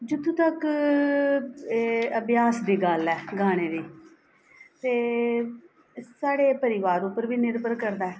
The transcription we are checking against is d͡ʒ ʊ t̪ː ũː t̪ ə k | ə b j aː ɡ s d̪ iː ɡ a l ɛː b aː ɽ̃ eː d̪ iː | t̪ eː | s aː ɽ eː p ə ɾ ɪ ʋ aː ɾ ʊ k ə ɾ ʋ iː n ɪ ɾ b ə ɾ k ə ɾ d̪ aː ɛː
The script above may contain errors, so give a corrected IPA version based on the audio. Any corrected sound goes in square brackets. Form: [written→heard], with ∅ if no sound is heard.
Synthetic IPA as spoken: d͡ʒ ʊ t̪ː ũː t̪ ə k | ə b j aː [ɡ→∅] s d̪ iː ɡ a l ɛː [b→ɡ] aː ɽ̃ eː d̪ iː | t̪ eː | s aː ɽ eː p ə ɾ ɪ ʋ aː ɾ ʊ [k→p] ə ɾ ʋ iː n ɪ ɾ b ə ɾ k ə ɾ d̪ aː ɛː